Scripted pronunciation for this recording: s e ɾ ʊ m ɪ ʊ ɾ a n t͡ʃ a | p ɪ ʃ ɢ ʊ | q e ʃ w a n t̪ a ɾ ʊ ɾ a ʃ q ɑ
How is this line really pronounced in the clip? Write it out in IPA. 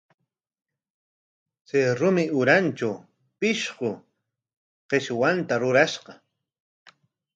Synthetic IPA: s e ɾ ʊ m ɪ ʊ ɾ a n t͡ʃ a | p ɪ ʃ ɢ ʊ | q e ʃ w a n t̪ a ɾ ʊ ɾ a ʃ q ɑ

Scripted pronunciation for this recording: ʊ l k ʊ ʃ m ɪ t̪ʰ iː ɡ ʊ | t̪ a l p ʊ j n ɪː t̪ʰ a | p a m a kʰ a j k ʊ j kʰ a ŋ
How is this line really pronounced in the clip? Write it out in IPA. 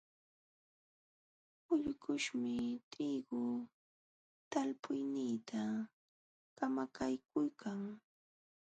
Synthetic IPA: ʊ ʎ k ʊ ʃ m ɪ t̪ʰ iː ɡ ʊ | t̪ a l p ʊ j n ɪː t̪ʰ a | k a m a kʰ a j k ʊ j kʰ a ŋ

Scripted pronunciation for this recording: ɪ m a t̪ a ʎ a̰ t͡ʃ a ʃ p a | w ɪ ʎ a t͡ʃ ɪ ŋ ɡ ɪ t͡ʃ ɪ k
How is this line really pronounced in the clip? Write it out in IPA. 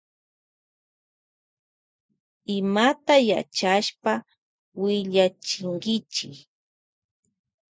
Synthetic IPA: ɪ m a t̪ a j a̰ t͡ʃ a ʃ p a | w ɪ ʎ a t͡ʃ ɪ ŋ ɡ ɪ t͡ʃ ɪ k

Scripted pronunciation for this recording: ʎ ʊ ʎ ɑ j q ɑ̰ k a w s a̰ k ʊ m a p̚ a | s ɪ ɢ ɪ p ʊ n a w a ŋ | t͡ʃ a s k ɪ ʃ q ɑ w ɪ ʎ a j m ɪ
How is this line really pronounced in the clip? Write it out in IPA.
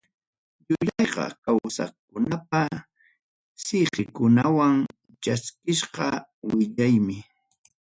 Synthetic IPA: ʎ ʊ ʎ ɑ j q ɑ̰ k a w s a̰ k ʊ n a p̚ a | s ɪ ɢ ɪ k ʊ n a w a ŋ | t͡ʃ a s k ɪ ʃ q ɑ w ɪ ʎ a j m ɪ

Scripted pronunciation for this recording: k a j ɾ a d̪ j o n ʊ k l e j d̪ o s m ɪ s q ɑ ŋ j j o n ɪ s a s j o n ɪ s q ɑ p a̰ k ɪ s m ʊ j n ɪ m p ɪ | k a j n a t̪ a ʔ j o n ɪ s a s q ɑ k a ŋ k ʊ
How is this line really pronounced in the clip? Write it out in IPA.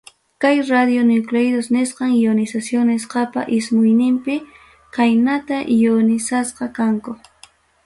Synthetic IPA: k a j ɾ a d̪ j o n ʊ k l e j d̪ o s n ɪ s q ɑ ŋ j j o n ɪ s a s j o n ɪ s q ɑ p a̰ ʔ ɪ s m ʊ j n ɪ m p ɪ | k a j n a t̪ a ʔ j o n ɪ s a s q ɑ k a ŋ k ʊ

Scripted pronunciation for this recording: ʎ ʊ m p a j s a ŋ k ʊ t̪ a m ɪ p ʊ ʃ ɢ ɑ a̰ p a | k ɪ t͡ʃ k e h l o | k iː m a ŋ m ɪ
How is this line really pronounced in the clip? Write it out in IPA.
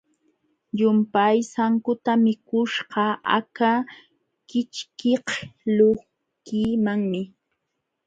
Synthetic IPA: ʎ ʊ m p a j s a ŋ k ʊ t̪ a m ɪ k ʊ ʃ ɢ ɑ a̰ k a | k ɪ t͡ʃ k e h l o | k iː m a ŋ m ɪ

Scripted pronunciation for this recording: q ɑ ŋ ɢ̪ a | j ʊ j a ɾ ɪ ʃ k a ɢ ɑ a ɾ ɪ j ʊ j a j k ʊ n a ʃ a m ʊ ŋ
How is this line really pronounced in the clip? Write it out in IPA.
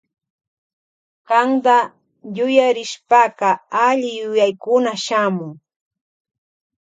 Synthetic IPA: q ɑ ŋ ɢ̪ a | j ʊ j a ɾ ɪ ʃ p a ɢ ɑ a ʎ ɪ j ʊ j a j k ʊ n a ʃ a m ʊ ŋ

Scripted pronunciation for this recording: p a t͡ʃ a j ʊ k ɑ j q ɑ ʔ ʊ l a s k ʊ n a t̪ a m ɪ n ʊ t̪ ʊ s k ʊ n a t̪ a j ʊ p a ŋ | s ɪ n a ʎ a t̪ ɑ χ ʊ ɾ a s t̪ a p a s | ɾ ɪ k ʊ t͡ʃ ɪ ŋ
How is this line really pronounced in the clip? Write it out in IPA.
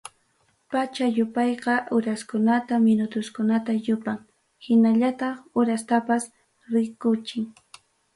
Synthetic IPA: p a t͡ʃ a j ʊ p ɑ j q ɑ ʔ ʊ ɾ a s k ʊ n a t̪ a m ɪ n ʊ t̪ ʊ s k ʊ n a t̪ a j ʊ p a ŋ | h ɪ n a ʎ a t̪ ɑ χ ʊ ɾ a s t̪ a p a s | ɾ ɪ k ʊ t͡ʃ ɪ ŋ

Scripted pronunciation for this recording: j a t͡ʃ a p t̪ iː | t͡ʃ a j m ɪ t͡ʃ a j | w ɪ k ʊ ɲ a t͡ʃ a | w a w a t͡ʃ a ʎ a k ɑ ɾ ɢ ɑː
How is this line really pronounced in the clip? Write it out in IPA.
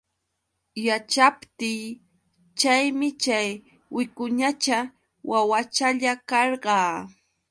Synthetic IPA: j a t͡ʃ a p t̪ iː | t͡ʃ a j m ɪ t͡ʃ a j | w ɪ k ʊ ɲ a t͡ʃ a | w a w a t͡ʃ a ʎ a k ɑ ɾ ɢ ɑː

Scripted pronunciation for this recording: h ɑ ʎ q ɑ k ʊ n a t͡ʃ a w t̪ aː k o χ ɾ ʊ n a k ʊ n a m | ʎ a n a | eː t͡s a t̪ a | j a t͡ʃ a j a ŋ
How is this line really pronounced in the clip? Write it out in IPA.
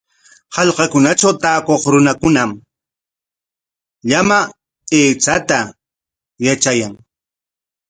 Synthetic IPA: h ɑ ʎ q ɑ k ʊ n a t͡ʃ a w t̪ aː k o χ ɾ ʊ n a k ʊ n a m | ʎ a m a | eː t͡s a t̪ a | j a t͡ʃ a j a ŋ

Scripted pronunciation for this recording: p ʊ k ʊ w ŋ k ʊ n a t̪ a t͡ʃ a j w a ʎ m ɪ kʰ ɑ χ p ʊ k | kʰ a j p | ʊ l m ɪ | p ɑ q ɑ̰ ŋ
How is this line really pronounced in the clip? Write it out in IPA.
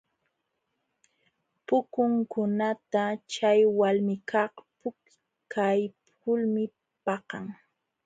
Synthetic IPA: p ʊ k ʊ ŋ k ʊ n a t̪ a t͡ʃ a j w a l m ɪ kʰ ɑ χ p ʊ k | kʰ a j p | ʊ l m ɪ | p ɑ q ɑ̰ ŋ

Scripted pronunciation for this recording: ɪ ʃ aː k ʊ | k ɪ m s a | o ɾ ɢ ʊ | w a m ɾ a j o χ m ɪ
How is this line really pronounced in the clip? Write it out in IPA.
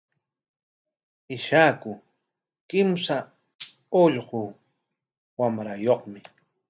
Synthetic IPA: ɪ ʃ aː k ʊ | k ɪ m s a | o ʎ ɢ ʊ | w a m ɾ a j o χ m ɪ

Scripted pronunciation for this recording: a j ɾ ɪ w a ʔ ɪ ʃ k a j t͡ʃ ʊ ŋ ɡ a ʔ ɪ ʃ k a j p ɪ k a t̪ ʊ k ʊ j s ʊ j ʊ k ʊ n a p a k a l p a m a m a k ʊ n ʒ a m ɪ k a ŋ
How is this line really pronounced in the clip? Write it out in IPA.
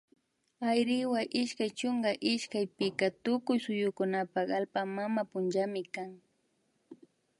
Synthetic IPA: a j ɾ ɪ w a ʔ ɪ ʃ k a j t͡ʃ ʊ ŋ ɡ a ʔ ɪ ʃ k a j p ɪ k a t̪ ʊ k ʊ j s ʊ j ʊ k ʊ n a p a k a l p a m a m a p ʊ n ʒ a m ɪ k a ŋ

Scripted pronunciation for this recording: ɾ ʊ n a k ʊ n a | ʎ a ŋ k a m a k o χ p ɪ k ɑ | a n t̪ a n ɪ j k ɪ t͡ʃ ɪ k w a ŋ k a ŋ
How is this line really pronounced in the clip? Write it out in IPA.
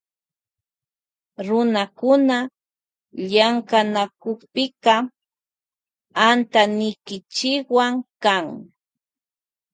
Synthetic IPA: ɾ ʊ n a k ʊ n a | ʎ a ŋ k a n a k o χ p ɪ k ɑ | a n t̪ a n ɪ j k ɪ t͡ʃ ɪ k w a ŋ k a ŋ

